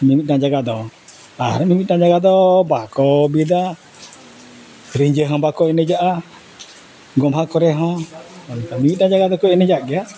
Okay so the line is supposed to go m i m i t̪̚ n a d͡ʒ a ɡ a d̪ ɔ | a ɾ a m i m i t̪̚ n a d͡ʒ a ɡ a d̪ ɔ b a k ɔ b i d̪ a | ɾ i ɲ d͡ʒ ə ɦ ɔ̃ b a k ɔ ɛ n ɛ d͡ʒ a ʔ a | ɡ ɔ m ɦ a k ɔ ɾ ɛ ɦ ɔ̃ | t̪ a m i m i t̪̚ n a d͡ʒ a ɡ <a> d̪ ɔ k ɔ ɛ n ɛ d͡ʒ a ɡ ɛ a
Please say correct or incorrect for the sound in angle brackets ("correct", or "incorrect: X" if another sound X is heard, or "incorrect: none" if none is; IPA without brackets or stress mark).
correct